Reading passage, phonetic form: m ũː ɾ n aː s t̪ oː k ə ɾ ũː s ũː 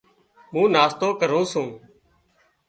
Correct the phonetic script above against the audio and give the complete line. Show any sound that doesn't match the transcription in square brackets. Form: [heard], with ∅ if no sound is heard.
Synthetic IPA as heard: m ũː [∅] n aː s t̪ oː k ə ɾ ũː s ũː